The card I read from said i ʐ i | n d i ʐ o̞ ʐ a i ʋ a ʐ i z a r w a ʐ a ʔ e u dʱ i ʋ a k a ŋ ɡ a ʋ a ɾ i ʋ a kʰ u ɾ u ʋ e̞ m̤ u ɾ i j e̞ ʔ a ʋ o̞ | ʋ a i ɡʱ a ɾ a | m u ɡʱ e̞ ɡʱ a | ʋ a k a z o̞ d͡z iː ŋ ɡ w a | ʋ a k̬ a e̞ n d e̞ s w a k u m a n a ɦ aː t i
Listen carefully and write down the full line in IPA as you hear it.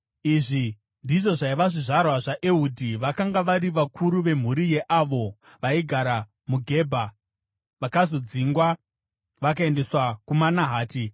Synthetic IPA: i ʐ i | n d i ʐ o̞ ʐ a i ʋ a ʐ i ʐ a r w a ʐ a ʔ e u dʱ i ʋ a k a ŋ ɡ a ʋ a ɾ i ʋ a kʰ u ɾ u ʋ e̞ m̤ u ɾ i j e̞ ʔ a ʋ o̞ | ʋ a i ɡʱ a ɾ a | m u ɡʱ e̞ bʱ a | ʋ a k a z o̞ d͡z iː ŋ ɡ w a | ʋ a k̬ a e̞ n d e̞ s w a k u m a n a ɦ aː t i